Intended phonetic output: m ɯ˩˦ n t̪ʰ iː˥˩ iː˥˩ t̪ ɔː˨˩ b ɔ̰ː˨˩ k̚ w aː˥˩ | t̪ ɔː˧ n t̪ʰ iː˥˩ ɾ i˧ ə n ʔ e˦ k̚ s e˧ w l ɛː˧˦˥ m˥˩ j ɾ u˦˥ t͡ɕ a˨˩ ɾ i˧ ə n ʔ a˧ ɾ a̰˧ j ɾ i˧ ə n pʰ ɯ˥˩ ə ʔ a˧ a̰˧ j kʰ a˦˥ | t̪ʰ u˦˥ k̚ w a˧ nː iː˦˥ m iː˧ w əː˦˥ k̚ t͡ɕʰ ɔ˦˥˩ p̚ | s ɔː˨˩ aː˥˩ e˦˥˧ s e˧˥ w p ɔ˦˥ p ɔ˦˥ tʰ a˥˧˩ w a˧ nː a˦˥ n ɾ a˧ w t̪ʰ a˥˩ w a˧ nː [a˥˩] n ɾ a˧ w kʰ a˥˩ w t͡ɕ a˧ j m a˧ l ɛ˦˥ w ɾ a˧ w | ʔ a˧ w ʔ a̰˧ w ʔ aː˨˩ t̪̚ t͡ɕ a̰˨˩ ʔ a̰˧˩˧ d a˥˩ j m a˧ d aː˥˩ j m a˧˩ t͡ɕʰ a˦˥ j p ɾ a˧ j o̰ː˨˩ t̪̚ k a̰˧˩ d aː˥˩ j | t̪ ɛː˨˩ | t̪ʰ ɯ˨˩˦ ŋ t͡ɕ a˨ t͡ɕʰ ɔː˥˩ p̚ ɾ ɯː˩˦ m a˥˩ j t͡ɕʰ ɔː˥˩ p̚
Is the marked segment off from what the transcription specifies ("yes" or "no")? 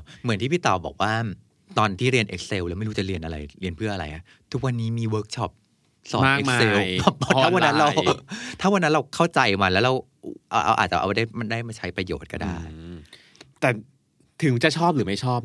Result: yes